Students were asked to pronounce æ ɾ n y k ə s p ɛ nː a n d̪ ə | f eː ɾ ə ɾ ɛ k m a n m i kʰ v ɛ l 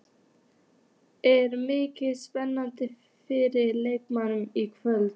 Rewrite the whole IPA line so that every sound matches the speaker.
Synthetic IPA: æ ɾ m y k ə s p ɛ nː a n d̪ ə | f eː ɾ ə l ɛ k m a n m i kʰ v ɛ l